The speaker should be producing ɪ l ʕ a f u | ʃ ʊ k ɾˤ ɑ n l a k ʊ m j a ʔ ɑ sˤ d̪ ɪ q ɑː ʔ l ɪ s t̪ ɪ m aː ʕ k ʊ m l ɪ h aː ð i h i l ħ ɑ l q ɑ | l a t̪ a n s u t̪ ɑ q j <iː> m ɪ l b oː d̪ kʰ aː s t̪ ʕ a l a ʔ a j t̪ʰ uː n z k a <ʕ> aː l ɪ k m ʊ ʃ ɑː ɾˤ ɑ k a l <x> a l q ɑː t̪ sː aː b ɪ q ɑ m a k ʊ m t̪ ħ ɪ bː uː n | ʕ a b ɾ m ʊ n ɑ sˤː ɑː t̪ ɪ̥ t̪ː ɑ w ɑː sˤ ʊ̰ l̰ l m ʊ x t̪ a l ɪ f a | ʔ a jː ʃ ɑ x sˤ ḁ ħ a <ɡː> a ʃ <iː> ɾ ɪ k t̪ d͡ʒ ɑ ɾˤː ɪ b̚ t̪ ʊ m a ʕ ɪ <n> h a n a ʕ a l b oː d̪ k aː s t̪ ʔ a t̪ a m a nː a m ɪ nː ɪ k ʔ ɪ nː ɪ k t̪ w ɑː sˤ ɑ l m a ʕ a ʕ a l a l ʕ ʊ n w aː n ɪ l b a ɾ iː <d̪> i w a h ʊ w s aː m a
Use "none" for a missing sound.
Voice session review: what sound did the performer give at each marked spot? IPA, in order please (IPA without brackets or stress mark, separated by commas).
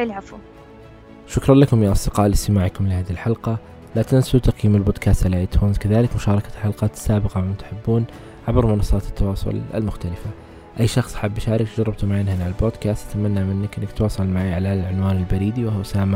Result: iː, ð, ħ, bː, aː, n, d̪